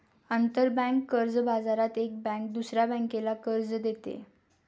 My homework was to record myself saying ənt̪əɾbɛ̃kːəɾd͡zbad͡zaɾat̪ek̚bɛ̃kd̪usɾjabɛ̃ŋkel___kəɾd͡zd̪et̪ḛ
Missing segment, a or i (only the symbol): a